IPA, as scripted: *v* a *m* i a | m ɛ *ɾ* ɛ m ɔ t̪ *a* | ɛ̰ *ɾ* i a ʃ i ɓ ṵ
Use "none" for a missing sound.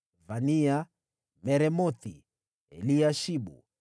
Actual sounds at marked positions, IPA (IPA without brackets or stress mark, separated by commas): v, n, ɾ, i, l